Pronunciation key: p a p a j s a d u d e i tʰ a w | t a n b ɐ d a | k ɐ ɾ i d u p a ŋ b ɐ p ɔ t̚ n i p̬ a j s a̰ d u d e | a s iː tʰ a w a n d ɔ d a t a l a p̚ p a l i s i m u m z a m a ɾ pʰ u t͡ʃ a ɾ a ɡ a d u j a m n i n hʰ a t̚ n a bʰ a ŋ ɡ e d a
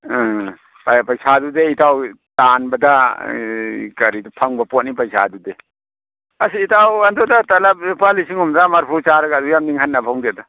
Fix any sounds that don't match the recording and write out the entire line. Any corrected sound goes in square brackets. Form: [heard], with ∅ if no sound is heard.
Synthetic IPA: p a p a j s a d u d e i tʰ a w | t a n b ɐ d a | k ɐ ɾ i d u [pʰ] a ŋ b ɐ p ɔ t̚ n i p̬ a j s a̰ d u d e | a s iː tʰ a w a n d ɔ d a t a l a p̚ p a l i s i [ŋ] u m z a m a ɾ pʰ u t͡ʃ a ɾ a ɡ a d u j a m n i [ŋ] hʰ a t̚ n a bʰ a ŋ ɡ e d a